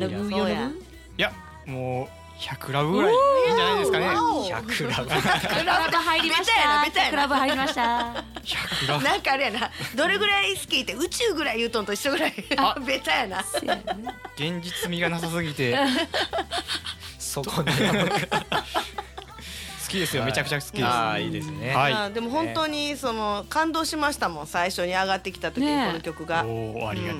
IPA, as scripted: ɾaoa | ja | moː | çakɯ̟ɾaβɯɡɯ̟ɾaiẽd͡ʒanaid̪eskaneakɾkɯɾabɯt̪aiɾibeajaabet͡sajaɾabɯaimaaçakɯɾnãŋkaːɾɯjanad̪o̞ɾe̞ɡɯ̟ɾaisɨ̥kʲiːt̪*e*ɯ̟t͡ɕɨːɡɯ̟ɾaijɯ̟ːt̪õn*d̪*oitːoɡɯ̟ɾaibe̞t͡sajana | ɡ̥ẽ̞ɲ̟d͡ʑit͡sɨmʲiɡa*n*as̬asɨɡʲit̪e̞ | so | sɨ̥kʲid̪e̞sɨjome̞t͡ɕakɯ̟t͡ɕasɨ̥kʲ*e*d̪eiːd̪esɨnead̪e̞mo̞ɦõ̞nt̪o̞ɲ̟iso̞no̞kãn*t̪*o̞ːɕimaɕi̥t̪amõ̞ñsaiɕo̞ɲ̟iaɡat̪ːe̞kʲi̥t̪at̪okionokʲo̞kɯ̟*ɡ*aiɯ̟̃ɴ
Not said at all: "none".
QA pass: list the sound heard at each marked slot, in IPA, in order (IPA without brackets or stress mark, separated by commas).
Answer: e, t̪, n, i, d̪, ɡ